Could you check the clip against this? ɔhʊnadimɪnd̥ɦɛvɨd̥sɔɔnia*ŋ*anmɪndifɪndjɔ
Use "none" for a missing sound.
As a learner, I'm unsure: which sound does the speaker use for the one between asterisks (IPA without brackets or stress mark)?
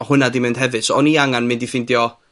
ŋ